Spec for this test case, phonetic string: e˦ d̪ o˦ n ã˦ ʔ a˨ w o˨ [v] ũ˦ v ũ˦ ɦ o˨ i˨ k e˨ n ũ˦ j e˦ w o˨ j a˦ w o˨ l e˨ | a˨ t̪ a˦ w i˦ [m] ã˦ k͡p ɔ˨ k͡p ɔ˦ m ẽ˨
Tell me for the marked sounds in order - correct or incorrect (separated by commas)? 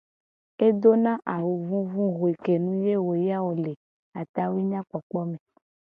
correct, incorrect